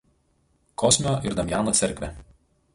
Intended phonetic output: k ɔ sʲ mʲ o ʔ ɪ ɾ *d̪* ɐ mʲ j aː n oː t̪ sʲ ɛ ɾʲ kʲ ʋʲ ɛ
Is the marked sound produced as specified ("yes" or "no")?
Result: yes